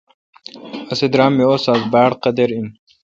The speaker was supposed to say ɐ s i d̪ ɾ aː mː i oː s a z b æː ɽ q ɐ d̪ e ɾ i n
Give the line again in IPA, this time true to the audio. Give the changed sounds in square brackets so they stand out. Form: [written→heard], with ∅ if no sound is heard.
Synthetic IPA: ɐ s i d̪ ɾ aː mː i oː s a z b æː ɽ q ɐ d̪ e ɾ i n